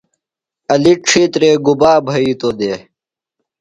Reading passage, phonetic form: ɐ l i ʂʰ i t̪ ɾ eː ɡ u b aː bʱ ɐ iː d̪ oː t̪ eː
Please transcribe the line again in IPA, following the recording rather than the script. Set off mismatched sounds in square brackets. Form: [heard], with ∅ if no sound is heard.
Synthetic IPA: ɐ l i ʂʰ i t̪ ɾ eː ɡ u b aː bʱ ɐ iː [t̪] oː [d̪] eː